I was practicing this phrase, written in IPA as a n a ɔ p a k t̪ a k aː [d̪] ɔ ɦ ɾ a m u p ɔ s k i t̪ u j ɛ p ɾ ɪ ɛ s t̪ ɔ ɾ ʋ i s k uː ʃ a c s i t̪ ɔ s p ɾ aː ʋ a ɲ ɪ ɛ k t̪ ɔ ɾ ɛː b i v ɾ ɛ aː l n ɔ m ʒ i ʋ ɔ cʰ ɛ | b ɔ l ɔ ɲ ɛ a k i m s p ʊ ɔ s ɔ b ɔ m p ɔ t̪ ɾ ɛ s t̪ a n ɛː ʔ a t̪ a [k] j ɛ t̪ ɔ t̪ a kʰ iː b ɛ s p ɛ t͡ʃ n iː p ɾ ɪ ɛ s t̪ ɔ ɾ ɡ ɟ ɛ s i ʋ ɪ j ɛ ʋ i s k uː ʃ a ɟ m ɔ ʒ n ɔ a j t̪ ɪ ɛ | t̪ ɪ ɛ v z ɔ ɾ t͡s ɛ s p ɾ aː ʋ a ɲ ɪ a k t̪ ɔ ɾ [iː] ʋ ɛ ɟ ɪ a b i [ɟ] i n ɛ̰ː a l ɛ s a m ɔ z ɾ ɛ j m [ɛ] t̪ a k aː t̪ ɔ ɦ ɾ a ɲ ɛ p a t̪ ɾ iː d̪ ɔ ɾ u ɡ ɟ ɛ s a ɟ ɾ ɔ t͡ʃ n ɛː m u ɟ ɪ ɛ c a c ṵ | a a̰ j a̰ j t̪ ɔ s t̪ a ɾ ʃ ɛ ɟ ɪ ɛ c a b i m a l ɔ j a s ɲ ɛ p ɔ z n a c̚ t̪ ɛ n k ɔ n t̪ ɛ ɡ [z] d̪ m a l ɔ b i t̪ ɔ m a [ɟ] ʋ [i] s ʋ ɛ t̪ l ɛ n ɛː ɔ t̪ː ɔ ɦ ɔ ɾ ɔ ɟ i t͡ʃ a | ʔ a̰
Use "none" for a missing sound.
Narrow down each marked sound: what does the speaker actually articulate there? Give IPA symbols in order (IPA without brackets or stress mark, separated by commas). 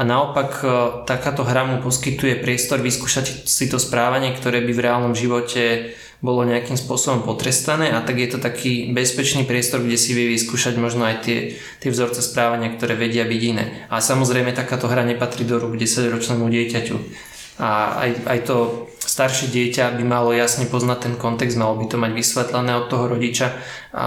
t̪, ɡ, ɛː, ɟ, ɛ, z, ɟ, i